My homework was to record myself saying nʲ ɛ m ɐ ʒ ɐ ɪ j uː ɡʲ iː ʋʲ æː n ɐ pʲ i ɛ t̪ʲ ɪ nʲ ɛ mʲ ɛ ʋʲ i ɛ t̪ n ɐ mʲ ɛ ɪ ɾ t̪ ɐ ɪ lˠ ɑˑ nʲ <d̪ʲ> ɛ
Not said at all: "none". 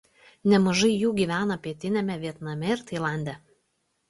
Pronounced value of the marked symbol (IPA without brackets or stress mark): d̪ʲ